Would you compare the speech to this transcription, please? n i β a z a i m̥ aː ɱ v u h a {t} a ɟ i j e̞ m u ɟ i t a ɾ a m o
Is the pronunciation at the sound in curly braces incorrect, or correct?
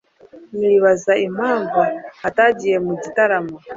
correct